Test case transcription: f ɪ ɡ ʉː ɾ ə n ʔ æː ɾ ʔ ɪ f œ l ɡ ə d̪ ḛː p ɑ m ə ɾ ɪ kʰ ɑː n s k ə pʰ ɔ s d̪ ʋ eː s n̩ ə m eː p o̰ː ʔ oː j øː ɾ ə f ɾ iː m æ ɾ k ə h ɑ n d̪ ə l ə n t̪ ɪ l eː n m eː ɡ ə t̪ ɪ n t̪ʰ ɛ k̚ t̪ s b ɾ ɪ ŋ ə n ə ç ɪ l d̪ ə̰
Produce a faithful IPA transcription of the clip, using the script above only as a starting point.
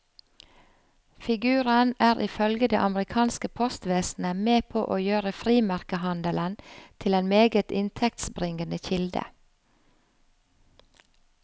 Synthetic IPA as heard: f ɪ ɡ ʉː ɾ ə n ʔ æː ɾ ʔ ɪ f œ l ɡ ə d̪ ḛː ʔ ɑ m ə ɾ ɪ kʰ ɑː n s k ə pʰ ɔ s t̪ ʋ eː s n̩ ə m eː pʰ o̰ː ʔ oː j øː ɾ ə f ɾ iː m æ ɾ k ə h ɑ n d̪ ə l ə n t̪ʰ ɪ l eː n m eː ɡ ə t̪ ɪ n t̪ʰ ɛ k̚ t̪ s b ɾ ɪ ŋ ə n ə ç ɪ l d̪ ə̰